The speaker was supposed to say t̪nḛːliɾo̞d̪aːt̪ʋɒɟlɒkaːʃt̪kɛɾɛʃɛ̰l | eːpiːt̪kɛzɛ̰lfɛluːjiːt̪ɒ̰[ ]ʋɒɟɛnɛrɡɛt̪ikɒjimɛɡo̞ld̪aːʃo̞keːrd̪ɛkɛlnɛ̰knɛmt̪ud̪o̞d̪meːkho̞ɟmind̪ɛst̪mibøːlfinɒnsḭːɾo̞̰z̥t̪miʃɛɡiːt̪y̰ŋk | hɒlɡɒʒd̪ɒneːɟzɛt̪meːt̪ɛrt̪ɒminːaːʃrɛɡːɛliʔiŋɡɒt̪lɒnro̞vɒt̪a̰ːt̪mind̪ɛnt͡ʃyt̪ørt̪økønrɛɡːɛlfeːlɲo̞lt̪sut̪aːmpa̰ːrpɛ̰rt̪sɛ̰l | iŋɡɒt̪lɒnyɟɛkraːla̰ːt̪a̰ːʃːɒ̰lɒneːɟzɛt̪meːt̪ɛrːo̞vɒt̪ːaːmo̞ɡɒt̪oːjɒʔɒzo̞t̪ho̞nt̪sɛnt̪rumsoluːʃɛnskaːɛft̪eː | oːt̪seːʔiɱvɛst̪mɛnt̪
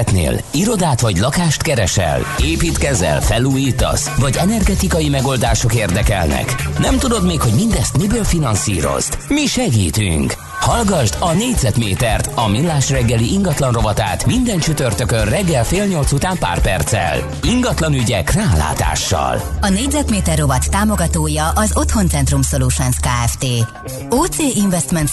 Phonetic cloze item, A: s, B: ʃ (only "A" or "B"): A